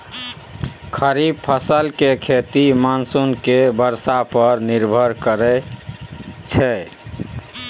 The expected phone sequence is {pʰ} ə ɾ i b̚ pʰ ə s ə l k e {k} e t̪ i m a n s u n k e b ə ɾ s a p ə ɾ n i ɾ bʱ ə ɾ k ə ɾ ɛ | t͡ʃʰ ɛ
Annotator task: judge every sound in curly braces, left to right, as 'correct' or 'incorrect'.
incorrect, incorrect

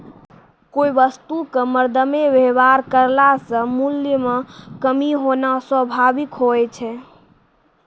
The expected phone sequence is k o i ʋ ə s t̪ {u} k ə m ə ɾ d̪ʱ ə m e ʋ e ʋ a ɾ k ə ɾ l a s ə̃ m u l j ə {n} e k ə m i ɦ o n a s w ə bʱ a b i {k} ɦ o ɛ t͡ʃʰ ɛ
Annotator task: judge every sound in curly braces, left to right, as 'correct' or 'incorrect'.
correct, incorrect, correct

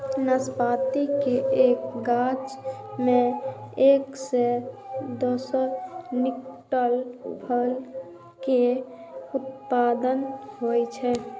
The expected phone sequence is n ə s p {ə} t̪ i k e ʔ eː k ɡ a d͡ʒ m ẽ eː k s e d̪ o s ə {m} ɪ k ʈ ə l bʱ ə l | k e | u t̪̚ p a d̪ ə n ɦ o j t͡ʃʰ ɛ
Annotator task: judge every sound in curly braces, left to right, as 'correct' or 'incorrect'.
incorrect, incorrect

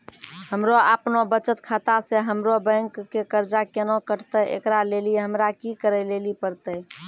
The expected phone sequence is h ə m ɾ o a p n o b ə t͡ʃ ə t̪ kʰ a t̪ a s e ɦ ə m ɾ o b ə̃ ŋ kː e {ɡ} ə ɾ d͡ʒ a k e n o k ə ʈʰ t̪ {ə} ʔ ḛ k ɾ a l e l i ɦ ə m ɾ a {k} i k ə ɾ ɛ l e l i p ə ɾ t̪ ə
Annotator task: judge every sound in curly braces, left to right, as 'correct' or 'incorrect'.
incorrect, correct, correct

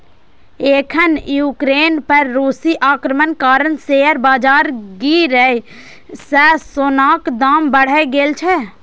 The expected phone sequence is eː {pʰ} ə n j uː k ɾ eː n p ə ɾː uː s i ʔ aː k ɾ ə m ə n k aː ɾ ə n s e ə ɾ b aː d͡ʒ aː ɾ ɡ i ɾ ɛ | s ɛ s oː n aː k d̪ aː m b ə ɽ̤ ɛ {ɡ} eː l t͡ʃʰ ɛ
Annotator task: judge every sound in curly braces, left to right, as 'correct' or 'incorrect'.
incorrect, correct

